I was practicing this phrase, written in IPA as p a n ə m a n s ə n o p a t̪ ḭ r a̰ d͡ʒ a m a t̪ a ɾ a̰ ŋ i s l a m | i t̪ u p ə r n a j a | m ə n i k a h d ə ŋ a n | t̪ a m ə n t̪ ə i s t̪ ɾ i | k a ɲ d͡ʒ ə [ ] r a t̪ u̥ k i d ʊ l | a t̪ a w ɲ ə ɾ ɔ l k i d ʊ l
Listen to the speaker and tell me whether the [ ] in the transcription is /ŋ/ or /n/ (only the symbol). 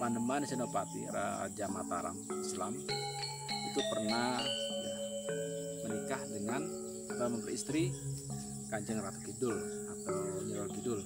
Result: ŋ